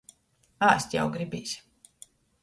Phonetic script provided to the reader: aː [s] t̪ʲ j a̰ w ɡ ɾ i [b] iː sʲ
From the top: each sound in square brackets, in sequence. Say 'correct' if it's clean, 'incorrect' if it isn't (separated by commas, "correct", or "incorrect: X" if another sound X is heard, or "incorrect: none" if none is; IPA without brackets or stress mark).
correct, correct